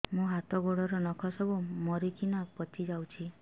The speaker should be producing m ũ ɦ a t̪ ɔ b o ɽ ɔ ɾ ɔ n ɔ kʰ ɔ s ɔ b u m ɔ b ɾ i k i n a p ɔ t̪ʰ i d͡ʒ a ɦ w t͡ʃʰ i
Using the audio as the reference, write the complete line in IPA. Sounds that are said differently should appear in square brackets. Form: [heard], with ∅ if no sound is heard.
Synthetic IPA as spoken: m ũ ɦ a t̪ ɔ [ɡ] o ɽ ɔ ɾ ɔ n ɔ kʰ ɔ s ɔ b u m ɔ [∅] ɾ i k i n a p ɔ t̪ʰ i d͡ʒ a [∅] w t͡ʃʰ i